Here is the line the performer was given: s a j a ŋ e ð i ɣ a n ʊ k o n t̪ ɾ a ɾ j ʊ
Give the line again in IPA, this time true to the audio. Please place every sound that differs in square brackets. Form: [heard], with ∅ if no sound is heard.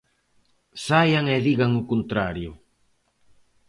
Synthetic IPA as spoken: s a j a ŋ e ð i ɣ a [ŋ] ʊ k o n t̪ ɾ a ɾ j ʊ